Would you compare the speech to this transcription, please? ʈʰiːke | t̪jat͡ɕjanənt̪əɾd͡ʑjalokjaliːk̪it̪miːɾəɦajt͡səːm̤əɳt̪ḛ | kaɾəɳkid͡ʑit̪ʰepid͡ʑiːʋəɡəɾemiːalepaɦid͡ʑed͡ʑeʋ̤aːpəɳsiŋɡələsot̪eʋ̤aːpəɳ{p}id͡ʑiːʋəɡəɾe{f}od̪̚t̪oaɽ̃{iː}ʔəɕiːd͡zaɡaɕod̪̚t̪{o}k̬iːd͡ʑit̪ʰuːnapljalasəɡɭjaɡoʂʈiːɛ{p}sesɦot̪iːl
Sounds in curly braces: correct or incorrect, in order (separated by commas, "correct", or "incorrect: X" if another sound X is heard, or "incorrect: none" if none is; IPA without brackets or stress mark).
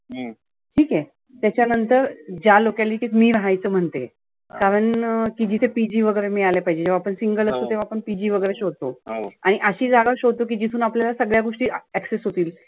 correct, incorrect: ɕ, incorrect: i, correct, incorrect: k